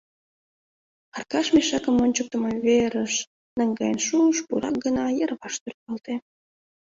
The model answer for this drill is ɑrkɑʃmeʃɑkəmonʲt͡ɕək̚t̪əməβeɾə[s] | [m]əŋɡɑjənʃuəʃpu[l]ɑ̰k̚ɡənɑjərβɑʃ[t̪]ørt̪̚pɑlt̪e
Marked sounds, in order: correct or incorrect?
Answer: incorrect: ʃ, incorrect: n, incorrect: ɾ, correct

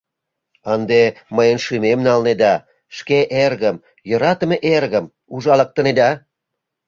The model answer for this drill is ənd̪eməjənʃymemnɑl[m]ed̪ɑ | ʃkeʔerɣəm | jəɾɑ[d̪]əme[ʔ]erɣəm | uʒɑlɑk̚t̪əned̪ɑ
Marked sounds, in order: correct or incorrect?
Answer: incorrect: n, incorrect: t̪, correct

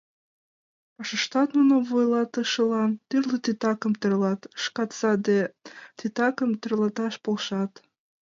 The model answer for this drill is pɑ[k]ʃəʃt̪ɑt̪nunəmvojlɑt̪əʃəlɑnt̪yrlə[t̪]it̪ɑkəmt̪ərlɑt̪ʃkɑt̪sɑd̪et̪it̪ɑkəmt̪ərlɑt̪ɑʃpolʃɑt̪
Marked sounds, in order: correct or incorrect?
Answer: incorrect: none, correct

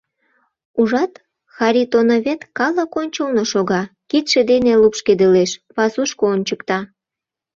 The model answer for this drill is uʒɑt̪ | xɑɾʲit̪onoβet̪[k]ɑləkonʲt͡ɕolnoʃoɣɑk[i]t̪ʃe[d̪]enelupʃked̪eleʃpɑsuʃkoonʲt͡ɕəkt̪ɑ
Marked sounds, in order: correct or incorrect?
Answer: correct, correct, correct

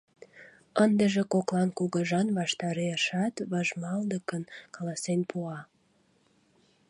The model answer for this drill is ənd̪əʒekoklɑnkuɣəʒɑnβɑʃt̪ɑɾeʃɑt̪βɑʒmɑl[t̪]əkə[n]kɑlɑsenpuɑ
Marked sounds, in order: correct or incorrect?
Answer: incorrect: d̪, correct

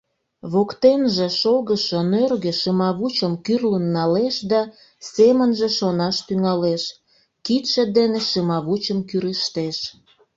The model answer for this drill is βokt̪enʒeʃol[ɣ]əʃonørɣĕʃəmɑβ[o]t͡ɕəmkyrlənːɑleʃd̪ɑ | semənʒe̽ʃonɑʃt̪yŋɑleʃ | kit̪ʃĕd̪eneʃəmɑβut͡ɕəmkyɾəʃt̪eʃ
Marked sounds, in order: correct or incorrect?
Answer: correct, incorrect: u

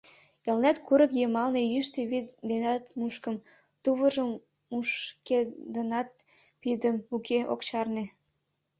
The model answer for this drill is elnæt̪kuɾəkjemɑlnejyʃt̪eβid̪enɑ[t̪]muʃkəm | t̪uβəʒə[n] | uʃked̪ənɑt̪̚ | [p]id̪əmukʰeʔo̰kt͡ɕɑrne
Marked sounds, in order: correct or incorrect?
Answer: correct, incorrect: m, correct

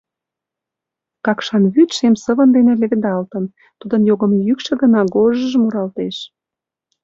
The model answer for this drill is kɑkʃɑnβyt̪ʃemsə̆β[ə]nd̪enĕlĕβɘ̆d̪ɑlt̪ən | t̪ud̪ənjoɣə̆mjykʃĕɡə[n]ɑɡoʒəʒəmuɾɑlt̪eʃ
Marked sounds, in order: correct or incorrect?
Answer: correct, correct

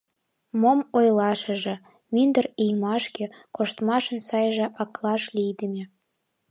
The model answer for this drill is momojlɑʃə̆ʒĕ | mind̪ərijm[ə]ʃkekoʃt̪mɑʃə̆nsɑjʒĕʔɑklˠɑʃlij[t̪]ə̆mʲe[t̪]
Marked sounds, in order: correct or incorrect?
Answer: incorrect: ɑ, incorrect: d̪, incorrect: none

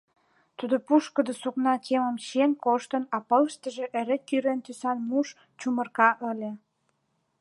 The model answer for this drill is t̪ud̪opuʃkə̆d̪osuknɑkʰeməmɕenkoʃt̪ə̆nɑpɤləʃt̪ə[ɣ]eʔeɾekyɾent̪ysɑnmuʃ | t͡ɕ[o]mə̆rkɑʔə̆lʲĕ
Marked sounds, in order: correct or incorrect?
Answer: incorrect: ʒ, incorrect: u

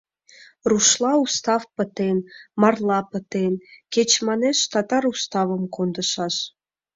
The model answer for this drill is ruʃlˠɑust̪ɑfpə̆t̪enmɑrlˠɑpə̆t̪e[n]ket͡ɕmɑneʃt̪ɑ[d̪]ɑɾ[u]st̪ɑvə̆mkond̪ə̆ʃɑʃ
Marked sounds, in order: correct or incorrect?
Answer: correct, incorrect: t̪, correct

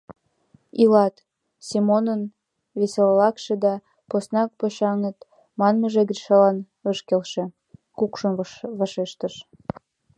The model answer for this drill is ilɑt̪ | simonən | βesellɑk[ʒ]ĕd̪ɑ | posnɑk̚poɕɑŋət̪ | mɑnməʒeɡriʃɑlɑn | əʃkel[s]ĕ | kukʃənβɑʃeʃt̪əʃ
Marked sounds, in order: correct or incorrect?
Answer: incorrect: ʃ, incorrect: ʃ

